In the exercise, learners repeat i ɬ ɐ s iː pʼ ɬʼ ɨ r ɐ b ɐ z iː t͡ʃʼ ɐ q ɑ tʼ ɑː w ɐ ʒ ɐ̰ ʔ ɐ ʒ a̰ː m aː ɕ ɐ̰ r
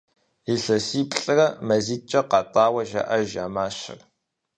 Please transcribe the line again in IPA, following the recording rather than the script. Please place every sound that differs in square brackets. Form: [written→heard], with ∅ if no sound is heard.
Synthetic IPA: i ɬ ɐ s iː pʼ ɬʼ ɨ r ɐ [b→m] ɐ z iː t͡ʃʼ ɐ q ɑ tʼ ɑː w ɐ ʒ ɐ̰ ʔ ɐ ʒ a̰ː m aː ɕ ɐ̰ r